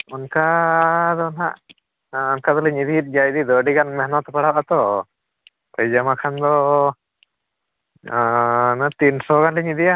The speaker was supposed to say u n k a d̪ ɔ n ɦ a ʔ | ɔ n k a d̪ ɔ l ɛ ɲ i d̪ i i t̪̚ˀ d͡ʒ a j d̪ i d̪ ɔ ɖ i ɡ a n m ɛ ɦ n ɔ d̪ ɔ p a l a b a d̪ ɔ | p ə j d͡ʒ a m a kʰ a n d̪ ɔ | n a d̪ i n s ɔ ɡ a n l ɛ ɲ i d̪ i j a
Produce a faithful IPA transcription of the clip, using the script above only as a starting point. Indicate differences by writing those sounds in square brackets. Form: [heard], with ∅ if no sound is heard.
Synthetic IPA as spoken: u n k a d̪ ɔ n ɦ a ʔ | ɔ n k a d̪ ɔ l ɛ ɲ i d̪ i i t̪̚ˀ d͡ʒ a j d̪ i d̪ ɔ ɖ i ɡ a n m ɛ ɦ n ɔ [t̪] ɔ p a [ɽ] a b a [t̪] ɔ | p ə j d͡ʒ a m a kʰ a n d̪ ɔ | n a [t̪] i n s ɔ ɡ a n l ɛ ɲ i d̪ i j a

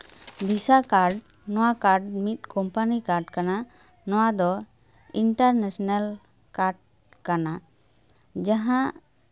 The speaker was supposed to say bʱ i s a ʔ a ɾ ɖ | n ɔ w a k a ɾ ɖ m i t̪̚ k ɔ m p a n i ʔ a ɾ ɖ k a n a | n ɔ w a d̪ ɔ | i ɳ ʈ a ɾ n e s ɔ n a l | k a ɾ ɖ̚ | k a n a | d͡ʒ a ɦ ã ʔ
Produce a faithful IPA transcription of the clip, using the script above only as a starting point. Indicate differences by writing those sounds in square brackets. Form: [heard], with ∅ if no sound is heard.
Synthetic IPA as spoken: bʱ i s a [k] a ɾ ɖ | n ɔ w a k a ɾ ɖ m i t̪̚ k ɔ m p a n i [k] a ɾ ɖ k a n a | n ɔ w a d̪ ɔ | i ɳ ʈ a ɾ n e s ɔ n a l | k a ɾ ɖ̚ | k a n a | d͡ʒ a ɦ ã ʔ

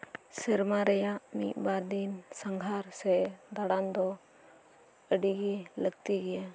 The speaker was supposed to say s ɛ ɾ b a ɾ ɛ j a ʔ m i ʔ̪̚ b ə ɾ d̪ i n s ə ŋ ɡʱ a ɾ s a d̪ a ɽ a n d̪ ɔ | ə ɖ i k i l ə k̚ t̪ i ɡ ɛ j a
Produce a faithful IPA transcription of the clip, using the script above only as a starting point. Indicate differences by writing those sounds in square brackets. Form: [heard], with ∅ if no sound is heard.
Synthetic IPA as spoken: s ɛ ɾ [m] a ɾ ɛ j a ʔ m i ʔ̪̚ b [a] ɾ d̪ i n s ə ŋ ɡʱ a ɾ s [ɛ] d̪ a ɽ a n d̪ ɔ | ə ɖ i [ɡ] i l ə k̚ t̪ i ɡ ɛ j a

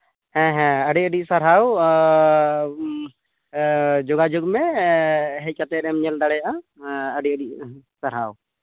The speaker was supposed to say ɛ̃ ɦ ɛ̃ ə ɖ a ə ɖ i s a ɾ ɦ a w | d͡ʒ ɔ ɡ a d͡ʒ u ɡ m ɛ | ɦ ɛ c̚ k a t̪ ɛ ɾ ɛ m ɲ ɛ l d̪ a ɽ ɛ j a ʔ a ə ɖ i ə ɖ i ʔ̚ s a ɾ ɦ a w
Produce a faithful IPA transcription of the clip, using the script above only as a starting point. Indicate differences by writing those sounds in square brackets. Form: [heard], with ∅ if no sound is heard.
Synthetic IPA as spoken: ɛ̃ ɦ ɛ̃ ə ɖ [i] ə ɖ i s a ɾ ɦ a w | d͡ʒ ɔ ɡ a d͡ʒ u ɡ m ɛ | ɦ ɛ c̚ k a t̪ ɛ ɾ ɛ m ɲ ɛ l d̪ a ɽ ɛ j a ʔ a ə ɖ i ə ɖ i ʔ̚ s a ɾ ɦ a w

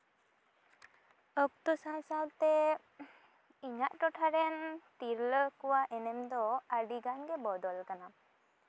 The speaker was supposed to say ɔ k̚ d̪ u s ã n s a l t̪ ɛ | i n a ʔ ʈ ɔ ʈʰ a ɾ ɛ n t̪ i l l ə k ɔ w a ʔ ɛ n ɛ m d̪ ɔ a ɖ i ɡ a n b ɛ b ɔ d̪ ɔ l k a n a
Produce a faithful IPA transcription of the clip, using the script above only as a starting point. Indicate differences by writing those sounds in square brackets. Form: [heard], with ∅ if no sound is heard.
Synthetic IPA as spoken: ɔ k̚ [t̪] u s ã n s a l t̪ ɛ | i [ɲ] a ʔ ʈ ɔ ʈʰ a ɾ ɛ n t̪ i [ɾ] l ə k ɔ w a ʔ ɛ n ɛ m d̪ ɔ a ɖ i ɡ a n [ɡ] ɛ b ɔ d̪ ɔ l k a n a

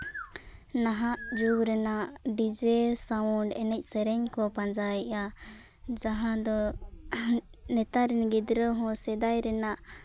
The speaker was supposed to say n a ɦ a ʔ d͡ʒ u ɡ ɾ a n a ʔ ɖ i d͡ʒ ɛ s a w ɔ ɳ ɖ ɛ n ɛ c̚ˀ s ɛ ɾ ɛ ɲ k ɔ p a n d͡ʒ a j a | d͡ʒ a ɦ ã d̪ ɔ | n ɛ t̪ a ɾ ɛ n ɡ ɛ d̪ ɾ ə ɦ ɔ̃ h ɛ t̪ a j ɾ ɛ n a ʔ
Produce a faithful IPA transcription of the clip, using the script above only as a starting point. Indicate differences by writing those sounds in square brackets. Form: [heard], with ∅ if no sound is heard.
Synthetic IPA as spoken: n a ɦ a ʔ d͡ʒ u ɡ ɾ [ɛ] n a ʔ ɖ i d͡ʒ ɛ s a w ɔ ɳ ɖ ɛ n ɛ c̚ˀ s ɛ ɾ ɛ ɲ k ɔ p a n d͡ʒ a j a | d͡ʒ a ɦ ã d̪ ɔ | n ɛ t̪ a ɾ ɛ n ɡ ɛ d̪ ɾ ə ɦ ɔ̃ [s] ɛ [d̪] a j ɾ ɛ n a ʔ

